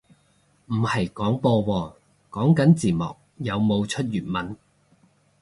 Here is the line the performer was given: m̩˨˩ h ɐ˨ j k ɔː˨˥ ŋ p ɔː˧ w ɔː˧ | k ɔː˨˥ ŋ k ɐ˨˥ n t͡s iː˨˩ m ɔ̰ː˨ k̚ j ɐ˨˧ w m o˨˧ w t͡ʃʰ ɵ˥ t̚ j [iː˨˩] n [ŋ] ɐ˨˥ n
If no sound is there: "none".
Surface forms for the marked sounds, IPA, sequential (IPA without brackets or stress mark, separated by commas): yː˨˩, m